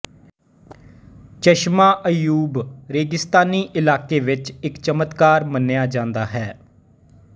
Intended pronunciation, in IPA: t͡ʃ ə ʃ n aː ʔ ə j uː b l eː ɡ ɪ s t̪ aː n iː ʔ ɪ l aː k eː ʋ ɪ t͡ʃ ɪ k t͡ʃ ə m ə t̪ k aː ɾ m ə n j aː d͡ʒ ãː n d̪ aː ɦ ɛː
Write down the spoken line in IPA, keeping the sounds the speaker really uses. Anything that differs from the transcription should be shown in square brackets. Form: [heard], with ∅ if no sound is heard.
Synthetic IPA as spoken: t͡ʃ ə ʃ [m] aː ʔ ə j uː b [ɾ] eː ɡ ɪ s t̪ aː n iː ʔ ɪ l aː k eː ʋ ɪ t͡ʃ ɪ k t͡ʃ ə m ə t̪ k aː ɾ m ə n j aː d͡ʒ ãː n d̪ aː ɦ ɛː